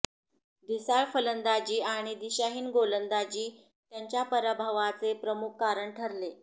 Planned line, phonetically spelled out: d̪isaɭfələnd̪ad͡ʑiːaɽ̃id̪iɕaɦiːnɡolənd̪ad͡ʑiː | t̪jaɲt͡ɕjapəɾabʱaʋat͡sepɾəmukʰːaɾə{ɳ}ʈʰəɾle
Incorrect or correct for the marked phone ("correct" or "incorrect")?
correct